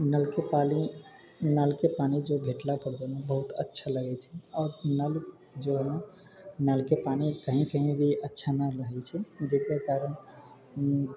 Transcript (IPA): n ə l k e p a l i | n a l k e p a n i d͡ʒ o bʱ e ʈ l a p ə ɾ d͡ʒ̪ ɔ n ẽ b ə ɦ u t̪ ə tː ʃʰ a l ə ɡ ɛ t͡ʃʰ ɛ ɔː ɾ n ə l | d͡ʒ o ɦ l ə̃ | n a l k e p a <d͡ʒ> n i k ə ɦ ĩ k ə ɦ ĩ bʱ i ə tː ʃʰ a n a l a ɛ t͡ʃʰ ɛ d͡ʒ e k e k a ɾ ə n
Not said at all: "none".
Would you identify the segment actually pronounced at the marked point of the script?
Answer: none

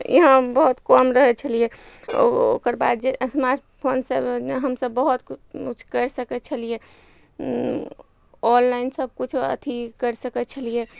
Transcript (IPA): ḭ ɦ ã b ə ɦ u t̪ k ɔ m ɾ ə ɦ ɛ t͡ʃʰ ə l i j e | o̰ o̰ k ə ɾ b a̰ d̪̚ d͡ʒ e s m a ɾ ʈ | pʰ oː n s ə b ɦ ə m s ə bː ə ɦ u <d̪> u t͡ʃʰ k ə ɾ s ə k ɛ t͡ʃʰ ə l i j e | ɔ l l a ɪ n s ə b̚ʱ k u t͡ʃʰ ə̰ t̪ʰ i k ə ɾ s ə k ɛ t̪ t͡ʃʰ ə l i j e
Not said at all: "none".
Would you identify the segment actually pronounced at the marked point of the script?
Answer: t̪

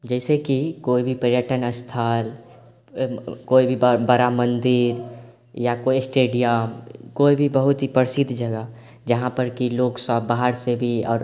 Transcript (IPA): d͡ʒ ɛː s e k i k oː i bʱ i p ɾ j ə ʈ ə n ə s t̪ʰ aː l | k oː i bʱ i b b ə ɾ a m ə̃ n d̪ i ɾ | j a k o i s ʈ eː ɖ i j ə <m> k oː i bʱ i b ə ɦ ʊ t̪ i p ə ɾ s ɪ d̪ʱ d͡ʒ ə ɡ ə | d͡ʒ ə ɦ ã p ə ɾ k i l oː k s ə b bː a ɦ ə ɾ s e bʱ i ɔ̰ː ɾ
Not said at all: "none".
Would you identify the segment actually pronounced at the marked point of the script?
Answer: m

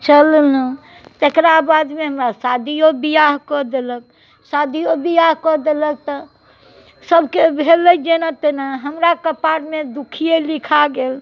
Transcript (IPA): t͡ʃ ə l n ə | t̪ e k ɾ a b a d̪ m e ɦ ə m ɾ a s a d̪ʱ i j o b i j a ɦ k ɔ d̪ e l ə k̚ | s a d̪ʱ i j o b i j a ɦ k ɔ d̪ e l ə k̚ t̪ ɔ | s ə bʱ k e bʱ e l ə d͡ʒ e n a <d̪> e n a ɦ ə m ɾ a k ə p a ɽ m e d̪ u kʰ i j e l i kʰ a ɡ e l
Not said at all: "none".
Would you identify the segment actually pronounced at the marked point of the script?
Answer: t̪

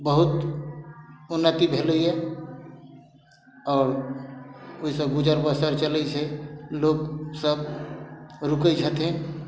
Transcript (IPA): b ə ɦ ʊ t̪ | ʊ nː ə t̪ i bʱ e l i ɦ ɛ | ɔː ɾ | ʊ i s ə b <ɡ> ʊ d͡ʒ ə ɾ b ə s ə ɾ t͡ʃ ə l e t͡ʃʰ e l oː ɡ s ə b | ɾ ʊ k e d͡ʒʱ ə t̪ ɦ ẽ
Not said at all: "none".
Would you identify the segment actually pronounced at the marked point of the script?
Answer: ɡ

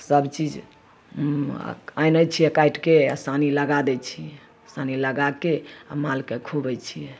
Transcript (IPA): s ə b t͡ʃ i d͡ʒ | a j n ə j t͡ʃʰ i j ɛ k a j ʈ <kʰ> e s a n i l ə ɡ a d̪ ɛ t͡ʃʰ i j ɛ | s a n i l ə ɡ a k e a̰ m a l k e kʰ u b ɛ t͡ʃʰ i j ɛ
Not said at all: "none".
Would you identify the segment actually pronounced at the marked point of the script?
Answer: k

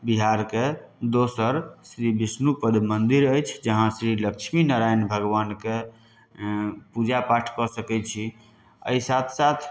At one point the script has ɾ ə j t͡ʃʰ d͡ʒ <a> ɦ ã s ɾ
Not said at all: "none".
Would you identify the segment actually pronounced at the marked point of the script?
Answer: ə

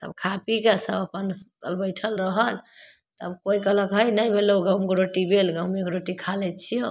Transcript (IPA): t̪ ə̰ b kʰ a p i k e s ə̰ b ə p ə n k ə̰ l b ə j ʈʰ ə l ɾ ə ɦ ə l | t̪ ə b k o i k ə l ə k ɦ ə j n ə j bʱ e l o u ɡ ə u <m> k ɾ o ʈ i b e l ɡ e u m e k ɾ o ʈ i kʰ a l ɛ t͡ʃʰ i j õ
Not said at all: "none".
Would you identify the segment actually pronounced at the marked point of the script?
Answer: m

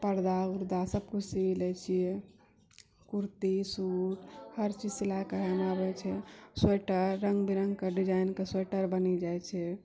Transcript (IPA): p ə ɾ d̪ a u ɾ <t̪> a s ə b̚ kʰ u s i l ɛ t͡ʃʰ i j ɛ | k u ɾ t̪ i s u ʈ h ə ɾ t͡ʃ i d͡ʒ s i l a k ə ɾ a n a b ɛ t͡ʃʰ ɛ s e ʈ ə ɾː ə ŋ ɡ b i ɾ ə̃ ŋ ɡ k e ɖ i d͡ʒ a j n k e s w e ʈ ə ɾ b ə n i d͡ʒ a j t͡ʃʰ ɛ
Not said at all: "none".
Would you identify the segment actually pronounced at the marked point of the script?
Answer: d̪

